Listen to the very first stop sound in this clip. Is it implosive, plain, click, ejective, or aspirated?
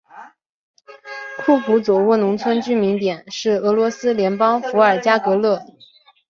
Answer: aspirated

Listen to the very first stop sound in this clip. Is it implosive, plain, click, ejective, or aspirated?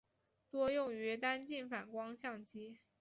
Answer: plain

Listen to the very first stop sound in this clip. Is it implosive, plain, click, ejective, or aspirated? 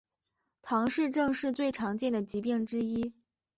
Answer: aspirated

